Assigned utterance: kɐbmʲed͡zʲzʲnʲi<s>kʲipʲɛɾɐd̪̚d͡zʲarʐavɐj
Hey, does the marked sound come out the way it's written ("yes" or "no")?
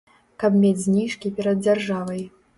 no